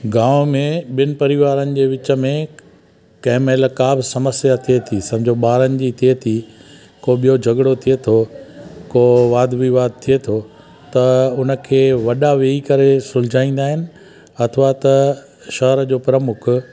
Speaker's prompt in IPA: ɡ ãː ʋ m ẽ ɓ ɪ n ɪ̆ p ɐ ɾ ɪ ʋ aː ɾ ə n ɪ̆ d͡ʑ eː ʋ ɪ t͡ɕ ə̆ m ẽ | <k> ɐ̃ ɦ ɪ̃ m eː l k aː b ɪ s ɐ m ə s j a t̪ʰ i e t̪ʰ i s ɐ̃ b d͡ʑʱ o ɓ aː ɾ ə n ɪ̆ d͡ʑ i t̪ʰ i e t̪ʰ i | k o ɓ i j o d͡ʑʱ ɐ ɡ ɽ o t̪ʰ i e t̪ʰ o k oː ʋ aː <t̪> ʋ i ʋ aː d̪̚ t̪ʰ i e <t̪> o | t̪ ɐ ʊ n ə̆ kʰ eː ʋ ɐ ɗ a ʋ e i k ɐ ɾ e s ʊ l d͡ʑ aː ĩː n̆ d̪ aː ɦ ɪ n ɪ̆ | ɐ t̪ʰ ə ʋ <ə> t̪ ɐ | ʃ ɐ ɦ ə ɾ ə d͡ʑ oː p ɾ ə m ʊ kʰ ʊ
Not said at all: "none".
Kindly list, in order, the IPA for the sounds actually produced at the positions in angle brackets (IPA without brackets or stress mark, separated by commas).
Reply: k, d̪, t̪ʰ, a